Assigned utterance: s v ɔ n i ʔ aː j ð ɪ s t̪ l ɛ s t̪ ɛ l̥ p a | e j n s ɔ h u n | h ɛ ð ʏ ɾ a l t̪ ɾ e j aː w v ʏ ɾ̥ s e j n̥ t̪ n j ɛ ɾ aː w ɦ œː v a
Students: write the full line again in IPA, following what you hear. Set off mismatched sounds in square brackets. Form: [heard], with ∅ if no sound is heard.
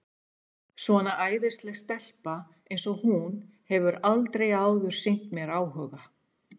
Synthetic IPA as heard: s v ɔ n [a] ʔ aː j ð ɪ s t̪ l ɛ s t̪ ɛ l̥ p a | e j n s ɔ h u n | h ɛ [v] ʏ ɾ a l t̪ ɾ e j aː w [ð] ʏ ɾ̥ s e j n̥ t̪ [m] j ɛ ɾ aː w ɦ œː [ɣ] a